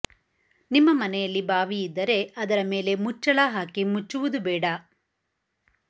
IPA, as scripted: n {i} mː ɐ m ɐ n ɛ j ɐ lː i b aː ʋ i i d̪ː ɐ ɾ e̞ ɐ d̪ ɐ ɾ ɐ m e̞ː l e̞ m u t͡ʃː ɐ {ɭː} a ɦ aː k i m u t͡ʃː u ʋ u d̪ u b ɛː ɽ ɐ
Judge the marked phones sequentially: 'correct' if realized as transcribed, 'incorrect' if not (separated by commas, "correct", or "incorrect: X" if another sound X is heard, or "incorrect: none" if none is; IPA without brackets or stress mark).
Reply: correct, incorrect: ɭ